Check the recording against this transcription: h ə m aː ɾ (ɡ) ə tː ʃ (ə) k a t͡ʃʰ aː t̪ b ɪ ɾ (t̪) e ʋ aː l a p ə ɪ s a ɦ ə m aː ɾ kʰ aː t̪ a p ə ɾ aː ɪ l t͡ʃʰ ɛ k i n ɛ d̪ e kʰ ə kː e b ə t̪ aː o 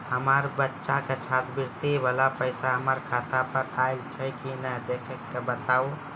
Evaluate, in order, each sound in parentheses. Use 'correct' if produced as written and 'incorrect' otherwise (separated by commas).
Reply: incorrect, incorrect, correct